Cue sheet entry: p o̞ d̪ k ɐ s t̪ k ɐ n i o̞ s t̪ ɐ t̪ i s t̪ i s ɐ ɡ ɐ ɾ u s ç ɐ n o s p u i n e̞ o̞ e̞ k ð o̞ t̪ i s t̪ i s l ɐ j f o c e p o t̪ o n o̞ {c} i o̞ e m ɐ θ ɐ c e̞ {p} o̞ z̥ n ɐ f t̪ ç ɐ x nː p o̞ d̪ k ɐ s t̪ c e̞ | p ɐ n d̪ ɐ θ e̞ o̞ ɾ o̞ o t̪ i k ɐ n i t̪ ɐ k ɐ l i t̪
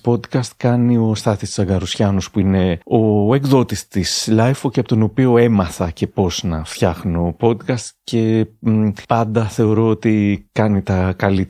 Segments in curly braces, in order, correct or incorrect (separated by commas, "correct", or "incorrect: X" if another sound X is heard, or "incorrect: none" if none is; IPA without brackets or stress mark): incorrect: p, correct